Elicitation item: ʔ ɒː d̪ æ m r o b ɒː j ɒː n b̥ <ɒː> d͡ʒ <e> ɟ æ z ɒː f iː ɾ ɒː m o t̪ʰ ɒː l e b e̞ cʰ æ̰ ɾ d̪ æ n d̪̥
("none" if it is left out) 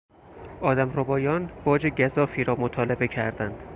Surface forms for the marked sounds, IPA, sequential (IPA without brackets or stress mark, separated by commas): ɒː, e